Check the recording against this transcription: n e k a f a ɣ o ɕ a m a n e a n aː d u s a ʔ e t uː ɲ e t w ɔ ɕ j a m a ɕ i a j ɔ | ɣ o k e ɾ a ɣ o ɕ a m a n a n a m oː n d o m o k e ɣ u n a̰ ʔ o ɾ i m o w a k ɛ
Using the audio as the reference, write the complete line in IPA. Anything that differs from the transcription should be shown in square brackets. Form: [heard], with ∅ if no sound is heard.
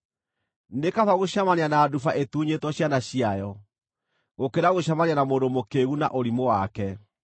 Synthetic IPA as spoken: n e k a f a ɣ o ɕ a m a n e a n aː d u [f] a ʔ e t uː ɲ e t w ɔ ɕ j a [n] a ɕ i a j ɔ | ɣ o k e ɾ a ɣ o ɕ a m a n a n a m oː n d o m o k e ɣ u n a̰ ʔ o ɾ i m o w a k ɛ